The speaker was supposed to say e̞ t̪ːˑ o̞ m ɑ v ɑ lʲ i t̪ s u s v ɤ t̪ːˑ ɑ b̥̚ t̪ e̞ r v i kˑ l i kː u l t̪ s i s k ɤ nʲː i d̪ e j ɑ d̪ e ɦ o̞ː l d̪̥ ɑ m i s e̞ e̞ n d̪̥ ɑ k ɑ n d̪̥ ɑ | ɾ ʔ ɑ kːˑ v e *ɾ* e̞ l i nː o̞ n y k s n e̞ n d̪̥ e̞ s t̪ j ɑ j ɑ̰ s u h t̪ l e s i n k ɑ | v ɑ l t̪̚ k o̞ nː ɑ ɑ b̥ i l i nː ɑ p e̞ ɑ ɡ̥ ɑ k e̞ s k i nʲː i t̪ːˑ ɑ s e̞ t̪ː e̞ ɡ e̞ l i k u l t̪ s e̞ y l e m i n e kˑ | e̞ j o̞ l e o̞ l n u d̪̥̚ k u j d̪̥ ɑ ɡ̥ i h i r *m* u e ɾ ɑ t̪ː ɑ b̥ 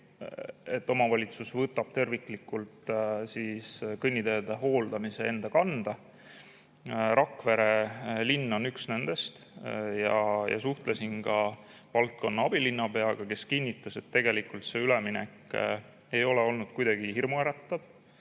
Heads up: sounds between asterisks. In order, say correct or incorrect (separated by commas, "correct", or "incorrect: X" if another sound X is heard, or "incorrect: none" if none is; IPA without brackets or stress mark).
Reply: correct, correct